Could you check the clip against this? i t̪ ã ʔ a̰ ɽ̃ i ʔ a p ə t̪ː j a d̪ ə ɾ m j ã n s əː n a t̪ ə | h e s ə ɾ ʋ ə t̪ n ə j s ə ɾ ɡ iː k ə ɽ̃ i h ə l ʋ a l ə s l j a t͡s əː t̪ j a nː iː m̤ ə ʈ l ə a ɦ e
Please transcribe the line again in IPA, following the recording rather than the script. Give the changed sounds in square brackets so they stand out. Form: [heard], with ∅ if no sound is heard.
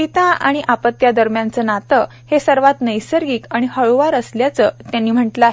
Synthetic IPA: i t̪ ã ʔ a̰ ɽ̃ i ʔ a p ə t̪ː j a d̪ ə ɾ m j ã n [t͡s] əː n a t̪ ə | h e s ə ɾ ʋ [a] t̪ n ə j s ə ɾ ɡ iː k [a] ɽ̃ i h ə [ɭ] ʋ a [ɾ] ə s l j a t͡s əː t̪ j a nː iː m̤ ə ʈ l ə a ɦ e